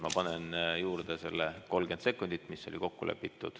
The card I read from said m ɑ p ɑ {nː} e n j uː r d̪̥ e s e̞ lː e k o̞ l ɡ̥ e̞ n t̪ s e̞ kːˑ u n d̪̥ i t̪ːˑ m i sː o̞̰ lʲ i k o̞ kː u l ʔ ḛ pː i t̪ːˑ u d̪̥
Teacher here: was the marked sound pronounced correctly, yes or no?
no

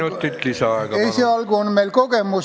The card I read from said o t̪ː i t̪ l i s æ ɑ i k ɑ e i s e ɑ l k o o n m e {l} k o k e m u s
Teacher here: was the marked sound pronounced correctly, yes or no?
yes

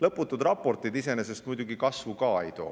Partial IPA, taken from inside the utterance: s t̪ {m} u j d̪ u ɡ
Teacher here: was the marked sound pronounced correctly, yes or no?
yes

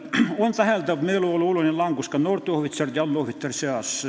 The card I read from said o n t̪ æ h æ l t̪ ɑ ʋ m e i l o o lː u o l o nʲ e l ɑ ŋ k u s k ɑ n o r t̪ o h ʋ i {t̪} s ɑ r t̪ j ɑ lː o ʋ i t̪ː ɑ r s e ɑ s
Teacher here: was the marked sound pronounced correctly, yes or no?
yes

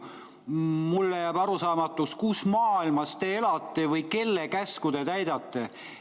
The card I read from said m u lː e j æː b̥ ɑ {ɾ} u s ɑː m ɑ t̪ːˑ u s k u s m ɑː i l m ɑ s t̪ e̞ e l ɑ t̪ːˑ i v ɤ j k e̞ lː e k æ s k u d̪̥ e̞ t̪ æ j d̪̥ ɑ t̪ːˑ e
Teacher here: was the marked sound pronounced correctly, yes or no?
yes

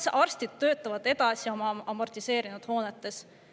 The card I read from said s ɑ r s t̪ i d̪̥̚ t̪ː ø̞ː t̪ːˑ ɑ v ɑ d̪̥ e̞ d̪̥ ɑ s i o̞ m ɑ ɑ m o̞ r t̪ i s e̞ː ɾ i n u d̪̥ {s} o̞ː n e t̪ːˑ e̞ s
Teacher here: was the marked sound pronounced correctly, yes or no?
no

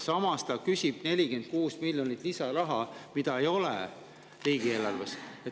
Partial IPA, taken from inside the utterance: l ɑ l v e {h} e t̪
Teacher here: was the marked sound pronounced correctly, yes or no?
no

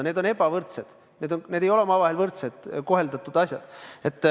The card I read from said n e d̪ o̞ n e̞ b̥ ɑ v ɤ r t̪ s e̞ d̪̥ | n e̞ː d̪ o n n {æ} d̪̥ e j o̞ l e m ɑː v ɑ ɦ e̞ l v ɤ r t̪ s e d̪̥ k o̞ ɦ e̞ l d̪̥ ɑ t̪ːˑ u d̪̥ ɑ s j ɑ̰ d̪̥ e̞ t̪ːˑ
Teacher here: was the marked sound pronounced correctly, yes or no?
no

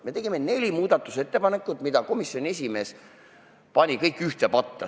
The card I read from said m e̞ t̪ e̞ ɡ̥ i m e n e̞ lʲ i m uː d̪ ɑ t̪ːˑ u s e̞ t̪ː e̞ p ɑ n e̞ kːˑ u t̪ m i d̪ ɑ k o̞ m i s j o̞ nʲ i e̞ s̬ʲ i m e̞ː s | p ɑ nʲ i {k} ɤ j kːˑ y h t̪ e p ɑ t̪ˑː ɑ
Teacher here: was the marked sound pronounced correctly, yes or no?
yes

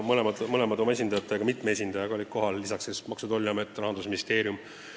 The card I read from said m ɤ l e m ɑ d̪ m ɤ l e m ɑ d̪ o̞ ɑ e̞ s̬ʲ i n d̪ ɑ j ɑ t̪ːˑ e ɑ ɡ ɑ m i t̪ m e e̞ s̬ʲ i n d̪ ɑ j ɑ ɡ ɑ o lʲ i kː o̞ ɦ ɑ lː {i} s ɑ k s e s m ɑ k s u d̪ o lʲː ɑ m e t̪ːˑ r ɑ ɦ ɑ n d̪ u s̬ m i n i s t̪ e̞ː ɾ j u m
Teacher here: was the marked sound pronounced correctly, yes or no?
yes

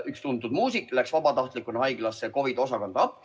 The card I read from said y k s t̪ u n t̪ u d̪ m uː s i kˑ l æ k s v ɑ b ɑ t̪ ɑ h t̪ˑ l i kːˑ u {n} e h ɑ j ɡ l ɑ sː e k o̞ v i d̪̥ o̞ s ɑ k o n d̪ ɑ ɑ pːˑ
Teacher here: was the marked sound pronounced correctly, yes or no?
yes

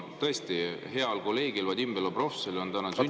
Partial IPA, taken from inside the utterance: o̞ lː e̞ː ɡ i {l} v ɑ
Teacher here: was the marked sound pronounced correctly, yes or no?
yes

